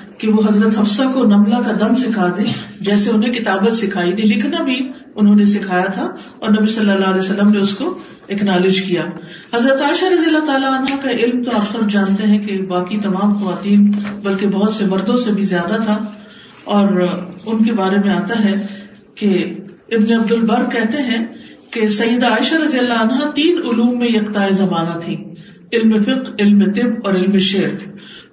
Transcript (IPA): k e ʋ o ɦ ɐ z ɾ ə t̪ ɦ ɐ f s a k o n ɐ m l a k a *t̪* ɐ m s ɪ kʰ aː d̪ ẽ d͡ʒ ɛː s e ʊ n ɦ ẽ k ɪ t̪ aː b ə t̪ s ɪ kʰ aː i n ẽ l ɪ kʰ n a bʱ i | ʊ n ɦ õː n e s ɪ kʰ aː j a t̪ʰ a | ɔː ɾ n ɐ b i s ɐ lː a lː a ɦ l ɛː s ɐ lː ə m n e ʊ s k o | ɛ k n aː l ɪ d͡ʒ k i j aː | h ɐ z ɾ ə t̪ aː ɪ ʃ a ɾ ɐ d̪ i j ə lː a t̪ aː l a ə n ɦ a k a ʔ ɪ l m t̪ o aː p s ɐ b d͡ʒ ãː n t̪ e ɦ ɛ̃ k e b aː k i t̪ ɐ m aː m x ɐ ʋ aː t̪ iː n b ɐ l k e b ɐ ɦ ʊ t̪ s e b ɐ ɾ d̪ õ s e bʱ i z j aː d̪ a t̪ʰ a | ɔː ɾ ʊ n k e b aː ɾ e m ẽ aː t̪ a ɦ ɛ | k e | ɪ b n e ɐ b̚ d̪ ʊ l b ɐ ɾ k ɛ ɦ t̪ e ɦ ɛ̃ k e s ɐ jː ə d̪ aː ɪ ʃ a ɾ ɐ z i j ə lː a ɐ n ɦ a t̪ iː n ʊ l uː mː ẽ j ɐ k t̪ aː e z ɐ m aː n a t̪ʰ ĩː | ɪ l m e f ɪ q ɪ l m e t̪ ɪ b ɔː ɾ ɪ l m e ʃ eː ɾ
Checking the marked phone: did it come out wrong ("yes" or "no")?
yes